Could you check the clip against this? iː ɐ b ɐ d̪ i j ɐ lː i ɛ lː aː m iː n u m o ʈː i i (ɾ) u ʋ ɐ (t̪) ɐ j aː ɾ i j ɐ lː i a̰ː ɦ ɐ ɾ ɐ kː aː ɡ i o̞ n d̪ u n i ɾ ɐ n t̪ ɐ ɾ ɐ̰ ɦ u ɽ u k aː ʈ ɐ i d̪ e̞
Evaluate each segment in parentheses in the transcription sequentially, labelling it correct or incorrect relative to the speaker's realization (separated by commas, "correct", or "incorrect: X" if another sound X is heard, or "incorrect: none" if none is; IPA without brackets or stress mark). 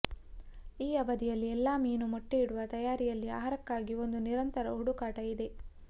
incorrect: ɽ, correct